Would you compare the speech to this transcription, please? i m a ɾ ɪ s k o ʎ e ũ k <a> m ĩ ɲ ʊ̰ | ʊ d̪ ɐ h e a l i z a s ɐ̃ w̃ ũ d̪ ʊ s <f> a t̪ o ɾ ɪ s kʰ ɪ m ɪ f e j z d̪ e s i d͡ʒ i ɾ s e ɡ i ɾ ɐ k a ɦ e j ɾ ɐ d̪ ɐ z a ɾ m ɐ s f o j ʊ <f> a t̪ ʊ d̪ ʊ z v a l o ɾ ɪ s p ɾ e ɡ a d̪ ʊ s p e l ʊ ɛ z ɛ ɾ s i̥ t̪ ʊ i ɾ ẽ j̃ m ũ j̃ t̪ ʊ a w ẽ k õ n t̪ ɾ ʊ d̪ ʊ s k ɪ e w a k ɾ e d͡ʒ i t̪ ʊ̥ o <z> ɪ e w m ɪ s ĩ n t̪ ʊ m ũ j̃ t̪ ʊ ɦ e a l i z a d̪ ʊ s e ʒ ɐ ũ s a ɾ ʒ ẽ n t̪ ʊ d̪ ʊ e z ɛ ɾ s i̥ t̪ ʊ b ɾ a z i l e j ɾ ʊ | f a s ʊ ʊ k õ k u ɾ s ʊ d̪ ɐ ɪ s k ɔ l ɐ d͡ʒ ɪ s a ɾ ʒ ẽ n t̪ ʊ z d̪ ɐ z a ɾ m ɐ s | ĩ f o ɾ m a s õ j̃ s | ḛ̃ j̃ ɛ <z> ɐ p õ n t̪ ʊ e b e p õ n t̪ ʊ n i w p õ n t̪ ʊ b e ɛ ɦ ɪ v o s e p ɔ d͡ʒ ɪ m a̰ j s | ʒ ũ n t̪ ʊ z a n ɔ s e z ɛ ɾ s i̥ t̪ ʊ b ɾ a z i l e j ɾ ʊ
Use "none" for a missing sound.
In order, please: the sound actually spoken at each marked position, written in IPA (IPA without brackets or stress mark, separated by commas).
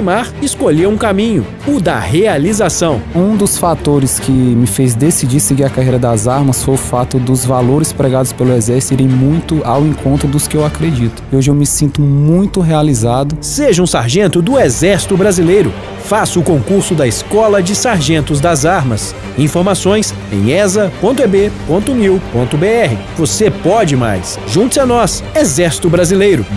a, f, f, ʒ, z